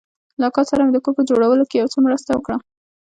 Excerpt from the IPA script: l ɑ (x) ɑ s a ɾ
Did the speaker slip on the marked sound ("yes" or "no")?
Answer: yes